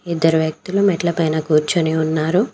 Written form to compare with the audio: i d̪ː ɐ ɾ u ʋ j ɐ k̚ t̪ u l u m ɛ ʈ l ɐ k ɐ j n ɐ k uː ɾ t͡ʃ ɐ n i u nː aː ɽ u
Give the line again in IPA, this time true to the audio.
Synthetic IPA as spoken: i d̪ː ɐ ɾ u ʋ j ɐ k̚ t̪ u l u m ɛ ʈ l ɐ p ɐ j n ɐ k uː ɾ t͡ʃ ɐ n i u nː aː ɾ u